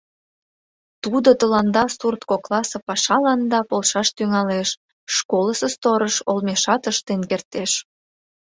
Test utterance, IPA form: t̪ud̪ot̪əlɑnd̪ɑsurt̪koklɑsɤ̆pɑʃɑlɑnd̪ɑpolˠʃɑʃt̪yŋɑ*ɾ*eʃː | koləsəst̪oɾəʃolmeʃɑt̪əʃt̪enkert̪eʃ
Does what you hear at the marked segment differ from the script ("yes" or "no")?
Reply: yes